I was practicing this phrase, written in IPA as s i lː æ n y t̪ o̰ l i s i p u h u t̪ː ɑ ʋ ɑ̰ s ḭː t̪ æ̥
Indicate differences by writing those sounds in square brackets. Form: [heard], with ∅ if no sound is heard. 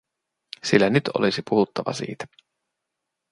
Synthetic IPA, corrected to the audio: s i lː æ n y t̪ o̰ l i s i p u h u t̪ː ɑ ʋ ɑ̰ s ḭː t̪ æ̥